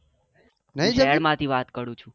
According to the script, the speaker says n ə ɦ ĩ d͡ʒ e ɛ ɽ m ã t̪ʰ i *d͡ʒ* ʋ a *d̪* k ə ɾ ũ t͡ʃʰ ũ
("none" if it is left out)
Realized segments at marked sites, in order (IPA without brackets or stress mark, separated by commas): none, t̪